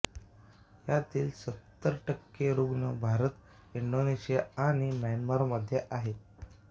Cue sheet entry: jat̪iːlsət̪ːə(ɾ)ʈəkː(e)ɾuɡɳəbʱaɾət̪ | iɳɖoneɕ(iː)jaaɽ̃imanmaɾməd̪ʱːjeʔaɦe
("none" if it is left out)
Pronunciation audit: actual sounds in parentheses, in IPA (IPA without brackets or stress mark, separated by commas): ɾ, e, i